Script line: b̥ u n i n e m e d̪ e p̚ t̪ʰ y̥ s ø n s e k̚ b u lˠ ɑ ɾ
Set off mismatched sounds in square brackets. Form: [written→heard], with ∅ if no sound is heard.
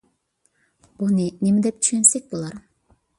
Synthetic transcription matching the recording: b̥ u n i n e m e d̪ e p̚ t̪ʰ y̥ [s→ʃ] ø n s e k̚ b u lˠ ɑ ɾ

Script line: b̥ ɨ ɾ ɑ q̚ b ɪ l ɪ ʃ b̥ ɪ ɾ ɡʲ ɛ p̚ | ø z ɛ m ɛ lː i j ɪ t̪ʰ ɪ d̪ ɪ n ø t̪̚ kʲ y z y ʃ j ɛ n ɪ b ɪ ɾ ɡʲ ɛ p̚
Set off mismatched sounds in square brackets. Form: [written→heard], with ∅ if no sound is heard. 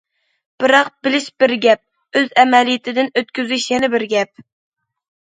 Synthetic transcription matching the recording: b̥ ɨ ɾ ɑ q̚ b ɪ l ɪ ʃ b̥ ɪ ɾ ɡʲ ɛ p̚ | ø z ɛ m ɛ [lː→l] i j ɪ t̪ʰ ɪ d̪ ɪ n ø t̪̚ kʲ y z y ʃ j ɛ n ɪ b ɪ ɾ ɡʲ ɛ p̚

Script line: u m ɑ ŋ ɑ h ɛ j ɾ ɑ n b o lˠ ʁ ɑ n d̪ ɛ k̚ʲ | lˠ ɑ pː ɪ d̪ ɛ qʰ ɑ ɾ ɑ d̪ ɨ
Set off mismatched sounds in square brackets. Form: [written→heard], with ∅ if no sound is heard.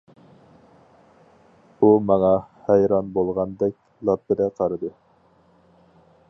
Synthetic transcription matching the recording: u m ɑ ŋ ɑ h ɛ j ɾ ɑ n b o lˠ ʁ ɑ n d̪ ɛ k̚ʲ | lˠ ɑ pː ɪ d̪ ɛ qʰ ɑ ɾ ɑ d̪ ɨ

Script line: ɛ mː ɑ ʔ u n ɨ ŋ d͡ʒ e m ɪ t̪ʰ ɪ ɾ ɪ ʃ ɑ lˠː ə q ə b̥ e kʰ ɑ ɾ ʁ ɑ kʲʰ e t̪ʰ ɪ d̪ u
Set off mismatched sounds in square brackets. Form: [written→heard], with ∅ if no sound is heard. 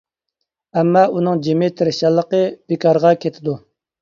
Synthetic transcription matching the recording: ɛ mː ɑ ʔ u n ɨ ŋ d͡ʒ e m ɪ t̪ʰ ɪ ɾ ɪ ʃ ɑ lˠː ə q ə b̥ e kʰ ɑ ɾ ʁ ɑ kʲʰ e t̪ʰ ɪ d̪ u

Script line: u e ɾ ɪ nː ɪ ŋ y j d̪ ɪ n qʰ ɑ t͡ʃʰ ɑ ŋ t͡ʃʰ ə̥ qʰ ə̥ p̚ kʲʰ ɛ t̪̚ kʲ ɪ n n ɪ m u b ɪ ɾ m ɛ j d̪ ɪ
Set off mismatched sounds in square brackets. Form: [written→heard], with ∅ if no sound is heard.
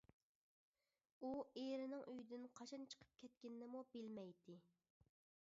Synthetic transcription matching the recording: u e ɾ ɪ [nː→n] ɪ ŋ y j d̪ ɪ n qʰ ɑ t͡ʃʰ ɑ [ŋ→n] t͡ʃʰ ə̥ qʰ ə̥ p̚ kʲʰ ɛ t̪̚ kʲ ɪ n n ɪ m u b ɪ [ɾ→l] m ɛ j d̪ ɪ

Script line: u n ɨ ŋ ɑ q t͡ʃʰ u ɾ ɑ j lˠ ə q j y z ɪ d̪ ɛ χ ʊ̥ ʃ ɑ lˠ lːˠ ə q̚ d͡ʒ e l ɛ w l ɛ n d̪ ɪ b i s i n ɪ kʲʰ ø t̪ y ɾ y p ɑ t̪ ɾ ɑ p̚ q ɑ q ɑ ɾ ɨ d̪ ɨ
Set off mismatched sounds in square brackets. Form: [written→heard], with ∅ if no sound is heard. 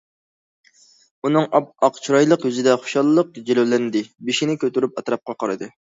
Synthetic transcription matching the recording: u n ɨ ŋ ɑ q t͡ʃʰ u ɾ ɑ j lˠ ə q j y z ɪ d̪ ɛ χ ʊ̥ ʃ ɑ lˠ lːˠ ə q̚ d͡ʒ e l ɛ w l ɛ n d̪ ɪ b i [s→ʃ] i n ɪ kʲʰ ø t̪ y ɾ y p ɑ t̪ ɾ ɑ p̚ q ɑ q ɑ ɾ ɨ d̪ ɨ

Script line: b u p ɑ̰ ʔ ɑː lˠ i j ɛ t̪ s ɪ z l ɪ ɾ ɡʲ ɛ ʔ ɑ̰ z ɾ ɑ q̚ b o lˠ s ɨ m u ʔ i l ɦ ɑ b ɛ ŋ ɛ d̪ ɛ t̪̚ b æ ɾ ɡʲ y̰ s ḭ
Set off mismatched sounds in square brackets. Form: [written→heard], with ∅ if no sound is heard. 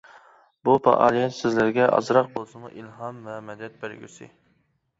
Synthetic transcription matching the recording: b u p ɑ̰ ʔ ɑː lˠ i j ɛ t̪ s ɪ z l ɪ ɾ ɡʲ ɛ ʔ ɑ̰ z ɾ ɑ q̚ b o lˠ s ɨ m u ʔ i l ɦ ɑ [b→m] ɛ [ŋ→m] ɛ d̪ ɛ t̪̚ b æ ɾ ɡʲ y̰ s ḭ

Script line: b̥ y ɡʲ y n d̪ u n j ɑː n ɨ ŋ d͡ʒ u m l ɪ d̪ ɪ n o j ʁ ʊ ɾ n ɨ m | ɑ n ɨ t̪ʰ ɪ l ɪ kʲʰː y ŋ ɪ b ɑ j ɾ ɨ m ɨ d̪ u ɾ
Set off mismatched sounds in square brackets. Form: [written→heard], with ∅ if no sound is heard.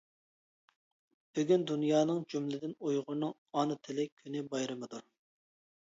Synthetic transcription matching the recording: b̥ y ɡʲ y n d̪ u n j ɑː n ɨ ŋ d͡ʒ u m l ɪ d̪ ɪ n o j ʁ ʊ ɾ n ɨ [m→ŋ] | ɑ n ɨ t̪ʰ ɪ l ɪ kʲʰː y [ŋ→n] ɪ b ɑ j ɾ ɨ m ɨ d̪ u ɾ

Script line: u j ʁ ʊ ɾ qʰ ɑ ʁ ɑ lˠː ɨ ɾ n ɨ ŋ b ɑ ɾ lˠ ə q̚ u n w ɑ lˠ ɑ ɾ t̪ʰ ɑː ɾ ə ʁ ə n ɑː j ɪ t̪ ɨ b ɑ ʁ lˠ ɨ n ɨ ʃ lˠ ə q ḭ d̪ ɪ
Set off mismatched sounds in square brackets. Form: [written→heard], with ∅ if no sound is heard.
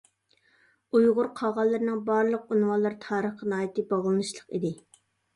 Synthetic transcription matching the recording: u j ʁ ʊ ɾ qʰ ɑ ʁ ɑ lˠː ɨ ɾ n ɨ ŋ b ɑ ɾ lˠ ə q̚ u n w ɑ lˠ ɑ ɾ t̪ʰ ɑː ɾ ə [ʁ→χ] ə n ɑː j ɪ t̪ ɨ b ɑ ʁ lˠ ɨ n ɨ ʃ lˠ ə q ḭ d̪ ɪ

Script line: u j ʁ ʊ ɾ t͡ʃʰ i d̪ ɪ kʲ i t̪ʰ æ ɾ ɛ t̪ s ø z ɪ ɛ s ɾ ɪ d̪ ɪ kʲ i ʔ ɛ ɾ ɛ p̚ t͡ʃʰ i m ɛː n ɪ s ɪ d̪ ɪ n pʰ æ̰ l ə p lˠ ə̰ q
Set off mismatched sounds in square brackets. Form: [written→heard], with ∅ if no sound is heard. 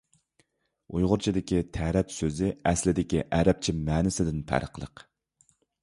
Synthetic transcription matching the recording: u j ʁ ʊ ɾ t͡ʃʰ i d̪ ɪ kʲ i t̪ʰ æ ɾ ɛ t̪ s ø z ɪ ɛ s [ɾ→l] ɪ d̪ ɪ kʲ i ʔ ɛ ɾ ɛ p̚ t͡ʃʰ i m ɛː n ɪ s ɪ d̪ ɪ n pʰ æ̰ [l→ɾ] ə [p→q] lˠ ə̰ q

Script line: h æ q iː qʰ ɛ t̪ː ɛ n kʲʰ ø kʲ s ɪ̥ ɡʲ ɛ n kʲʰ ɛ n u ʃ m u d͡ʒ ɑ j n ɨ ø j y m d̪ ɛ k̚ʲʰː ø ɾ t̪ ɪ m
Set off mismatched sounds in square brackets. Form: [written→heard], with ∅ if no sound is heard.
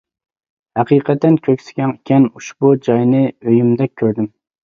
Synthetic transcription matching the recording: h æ q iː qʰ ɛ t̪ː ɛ n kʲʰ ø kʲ s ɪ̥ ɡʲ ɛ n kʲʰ ɛ n u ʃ [m→b] u d͡ʒ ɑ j n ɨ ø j y m d̪ ɛ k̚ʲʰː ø ɾ [t̪→d̪] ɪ m

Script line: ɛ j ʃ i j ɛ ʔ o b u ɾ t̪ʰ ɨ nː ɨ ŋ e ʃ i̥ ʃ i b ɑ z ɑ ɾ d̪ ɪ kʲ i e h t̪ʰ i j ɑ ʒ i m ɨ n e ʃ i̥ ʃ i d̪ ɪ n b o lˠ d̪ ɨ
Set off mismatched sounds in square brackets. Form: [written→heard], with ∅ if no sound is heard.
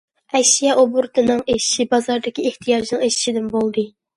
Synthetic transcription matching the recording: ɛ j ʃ i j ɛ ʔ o b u ɾ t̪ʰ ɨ [nː→n] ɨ ŋ e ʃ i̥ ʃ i b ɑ z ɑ ɾ d̪ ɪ kʲ i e h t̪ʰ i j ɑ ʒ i [m→n] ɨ [n→ŋ] e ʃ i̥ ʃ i d̪ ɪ n b o lˠ d̪ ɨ

